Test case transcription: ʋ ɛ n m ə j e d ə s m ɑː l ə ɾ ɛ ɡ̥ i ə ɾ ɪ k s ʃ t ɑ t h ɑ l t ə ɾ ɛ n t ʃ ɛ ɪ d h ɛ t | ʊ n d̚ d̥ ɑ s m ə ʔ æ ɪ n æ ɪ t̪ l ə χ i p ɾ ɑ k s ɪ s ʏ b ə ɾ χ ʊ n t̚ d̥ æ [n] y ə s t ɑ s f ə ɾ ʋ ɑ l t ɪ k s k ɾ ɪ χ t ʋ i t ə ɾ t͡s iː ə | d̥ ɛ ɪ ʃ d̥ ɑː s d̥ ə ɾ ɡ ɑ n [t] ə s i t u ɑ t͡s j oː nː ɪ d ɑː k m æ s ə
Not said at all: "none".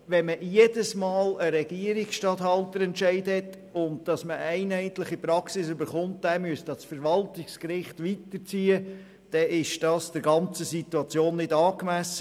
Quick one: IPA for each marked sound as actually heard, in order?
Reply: m, t͡s

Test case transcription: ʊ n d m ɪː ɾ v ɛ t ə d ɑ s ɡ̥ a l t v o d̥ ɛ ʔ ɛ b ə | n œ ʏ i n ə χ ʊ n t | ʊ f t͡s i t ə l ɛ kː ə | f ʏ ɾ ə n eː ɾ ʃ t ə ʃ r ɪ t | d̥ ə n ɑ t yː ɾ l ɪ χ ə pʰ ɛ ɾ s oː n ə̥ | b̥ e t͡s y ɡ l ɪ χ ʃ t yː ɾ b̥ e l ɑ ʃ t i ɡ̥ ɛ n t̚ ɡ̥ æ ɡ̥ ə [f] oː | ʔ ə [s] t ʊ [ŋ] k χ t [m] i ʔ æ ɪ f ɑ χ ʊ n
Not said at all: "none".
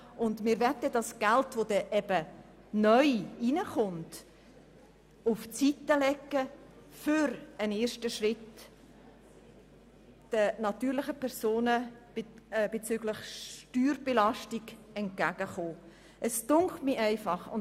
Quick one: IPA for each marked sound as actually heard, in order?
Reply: χ, s, ŋ, m

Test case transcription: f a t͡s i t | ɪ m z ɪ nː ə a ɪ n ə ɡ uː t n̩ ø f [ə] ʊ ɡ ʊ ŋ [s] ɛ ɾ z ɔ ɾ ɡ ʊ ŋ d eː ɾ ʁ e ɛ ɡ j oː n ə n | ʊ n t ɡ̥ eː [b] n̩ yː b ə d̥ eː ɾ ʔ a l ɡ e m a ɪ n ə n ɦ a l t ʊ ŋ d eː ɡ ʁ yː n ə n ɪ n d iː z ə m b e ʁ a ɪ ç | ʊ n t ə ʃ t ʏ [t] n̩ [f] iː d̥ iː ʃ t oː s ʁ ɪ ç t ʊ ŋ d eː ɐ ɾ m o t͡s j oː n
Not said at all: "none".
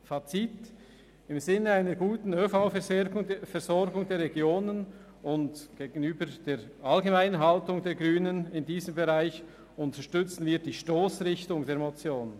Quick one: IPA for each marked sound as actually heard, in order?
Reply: a, f, ɡ, t͡s, v

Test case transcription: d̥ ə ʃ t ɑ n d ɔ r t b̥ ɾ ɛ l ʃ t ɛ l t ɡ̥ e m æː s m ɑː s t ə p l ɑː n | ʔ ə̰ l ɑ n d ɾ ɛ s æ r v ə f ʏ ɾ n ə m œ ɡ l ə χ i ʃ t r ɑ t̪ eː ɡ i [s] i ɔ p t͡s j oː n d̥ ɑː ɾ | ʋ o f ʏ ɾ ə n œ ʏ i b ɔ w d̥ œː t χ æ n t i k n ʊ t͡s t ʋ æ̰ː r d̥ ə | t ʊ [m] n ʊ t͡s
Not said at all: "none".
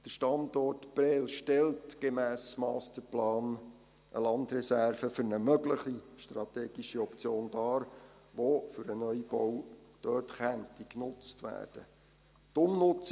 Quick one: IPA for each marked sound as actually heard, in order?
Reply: ʃ, m

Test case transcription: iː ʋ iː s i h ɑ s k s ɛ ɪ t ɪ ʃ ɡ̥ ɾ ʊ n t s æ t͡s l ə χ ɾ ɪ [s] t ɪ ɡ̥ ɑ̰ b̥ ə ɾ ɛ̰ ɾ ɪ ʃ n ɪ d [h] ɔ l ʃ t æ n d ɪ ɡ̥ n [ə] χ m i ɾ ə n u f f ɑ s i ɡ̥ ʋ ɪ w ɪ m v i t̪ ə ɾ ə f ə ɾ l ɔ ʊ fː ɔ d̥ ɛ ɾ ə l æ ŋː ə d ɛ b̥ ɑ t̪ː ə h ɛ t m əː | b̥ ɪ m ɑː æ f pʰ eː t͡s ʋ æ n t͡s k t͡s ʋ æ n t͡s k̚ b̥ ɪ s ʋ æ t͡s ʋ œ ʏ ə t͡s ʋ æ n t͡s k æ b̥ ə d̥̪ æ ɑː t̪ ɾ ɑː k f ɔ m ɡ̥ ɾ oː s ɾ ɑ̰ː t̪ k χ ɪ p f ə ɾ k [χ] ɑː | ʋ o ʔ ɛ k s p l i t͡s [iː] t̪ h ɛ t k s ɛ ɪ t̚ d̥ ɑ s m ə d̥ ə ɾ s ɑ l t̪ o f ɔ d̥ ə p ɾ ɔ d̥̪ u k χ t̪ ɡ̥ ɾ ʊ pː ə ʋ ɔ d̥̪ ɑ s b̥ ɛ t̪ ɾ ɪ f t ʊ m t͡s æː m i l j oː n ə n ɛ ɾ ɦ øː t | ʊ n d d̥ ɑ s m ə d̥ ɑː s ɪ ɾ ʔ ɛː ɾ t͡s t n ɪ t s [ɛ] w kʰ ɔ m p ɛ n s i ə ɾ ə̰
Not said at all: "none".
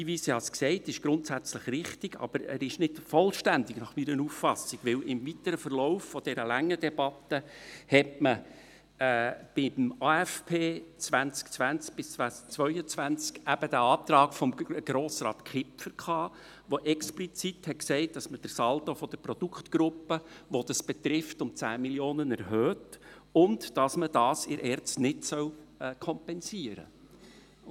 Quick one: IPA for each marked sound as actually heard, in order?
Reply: χ, f, ɑ, χ, i, œ

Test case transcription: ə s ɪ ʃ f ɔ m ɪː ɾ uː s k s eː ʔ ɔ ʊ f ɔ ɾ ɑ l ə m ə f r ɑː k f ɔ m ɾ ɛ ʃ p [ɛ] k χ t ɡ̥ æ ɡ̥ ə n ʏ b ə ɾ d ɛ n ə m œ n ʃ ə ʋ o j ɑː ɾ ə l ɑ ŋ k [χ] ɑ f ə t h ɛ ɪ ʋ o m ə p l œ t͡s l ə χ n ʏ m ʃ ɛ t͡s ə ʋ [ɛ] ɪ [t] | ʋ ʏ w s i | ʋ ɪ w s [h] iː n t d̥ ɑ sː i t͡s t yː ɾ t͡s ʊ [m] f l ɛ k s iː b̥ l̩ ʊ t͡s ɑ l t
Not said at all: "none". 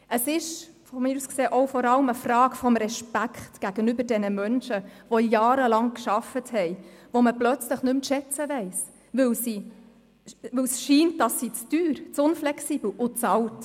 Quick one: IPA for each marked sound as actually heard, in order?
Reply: æ, ʃ, ɛ, s, ʃ, n

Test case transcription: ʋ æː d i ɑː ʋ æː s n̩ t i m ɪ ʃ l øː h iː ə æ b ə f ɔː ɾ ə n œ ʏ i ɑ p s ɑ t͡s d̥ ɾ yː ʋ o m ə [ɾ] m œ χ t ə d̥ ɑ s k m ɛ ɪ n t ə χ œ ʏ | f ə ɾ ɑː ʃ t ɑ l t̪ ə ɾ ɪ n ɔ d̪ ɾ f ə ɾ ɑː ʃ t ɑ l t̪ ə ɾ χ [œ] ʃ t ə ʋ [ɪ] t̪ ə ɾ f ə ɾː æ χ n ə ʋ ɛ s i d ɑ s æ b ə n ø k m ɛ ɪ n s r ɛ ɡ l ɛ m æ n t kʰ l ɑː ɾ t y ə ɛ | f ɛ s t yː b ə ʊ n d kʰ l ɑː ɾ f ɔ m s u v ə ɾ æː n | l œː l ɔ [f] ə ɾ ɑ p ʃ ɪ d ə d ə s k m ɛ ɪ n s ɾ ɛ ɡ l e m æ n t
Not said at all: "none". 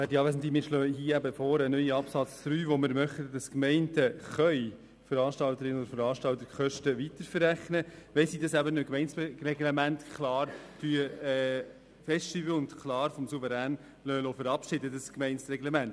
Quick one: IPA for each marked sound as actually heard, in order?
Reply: ɾ, œ, i, f

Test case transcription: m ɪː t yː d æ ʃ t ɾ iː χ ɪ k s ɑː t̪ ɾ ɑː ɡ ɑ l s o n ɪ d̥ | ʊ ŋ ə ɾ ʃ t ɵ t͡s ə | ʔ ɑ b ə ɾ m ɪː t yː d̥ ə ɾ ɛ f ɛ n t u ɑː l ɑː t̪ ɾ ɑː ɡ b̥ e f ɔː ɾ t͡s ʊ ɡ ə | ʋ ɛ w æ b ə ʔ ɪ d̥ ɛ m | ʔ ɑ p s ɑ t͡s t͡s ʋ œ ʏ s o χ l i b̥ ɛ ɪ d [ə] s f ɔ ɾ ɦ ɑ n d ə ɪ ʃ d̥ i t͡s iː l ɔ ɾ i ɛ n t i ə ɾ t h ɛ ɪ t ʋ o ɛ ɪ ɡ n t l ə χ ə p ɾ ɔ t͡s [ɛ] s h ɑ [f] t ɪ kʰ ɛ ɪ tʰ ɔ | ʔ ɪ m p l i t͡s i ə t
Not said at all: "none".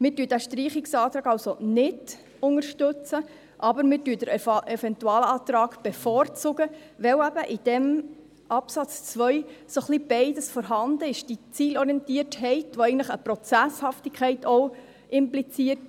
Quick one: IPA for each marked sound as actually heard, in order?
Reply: ə, æ, f

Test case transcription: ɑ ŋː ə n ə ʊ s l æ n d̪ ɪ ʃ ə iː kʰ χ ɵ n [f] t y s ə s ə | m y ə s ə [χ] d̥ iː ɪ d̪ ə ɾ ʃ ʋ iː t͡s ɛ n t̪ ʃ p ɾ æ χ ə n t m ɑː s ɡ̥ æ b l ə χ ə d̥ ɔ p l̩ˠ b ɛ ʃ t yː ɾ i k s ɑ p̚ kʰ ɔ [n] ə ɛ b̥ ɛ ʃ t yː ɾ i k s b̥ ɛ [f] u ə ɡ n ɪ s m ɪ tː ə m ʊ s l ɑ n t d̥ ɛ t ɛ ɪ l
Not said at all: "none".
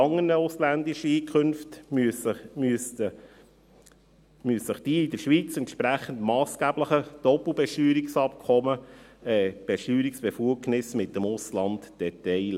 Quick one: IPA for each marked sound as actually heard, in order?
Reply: f, χ, m, f

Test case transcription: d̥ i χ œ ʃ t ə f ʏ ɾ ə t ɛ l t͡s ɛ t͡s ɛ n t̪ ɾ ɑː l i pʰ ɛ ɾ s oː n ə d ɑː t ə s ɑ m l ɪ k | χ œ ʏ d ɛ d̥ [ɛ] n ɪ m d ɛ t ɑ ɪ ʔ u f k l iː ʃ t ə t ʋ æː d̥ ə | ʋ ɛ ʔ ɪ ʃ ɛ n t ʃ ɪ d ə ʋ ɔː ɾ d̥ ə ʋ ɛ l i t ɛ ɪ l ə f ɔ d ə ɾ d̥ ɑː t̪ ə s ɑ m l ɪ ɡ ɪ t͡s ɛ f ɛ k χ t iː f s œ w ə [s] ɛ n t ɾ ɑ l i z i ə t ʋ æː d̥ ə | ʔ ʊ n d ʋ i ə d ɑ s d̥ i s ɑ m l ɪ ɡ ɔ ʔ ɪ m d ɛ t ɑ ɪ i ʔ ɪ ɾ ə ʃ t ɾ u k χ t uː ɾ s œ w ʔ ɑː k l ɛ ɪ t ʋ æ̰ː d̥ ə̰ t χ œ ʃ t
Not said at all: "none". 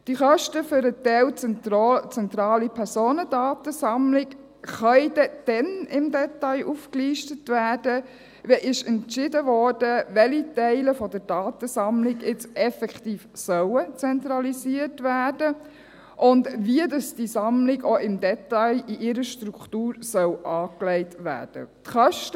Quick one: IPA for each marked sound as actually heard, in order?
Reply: ɛ, t͡s

